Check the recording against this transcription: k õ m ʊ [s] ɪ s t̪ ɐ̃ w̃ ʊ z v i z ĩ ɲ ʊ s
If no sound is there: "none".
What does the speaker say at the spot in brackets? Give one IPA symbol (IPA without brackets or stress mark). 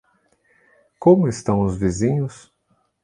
none